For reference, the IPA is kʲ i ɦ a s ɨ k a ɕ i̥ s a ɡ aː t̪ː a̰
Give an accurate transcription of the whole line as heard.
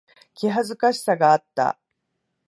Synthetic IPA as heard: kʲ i ɦ a z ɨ k a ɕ i̥ s a ɡ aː t̪ː a̰